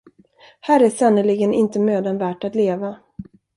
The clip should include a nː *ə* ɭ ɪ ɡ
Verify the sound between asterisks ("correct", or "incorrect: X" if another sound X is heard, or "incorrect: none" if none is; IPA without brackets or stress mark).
correct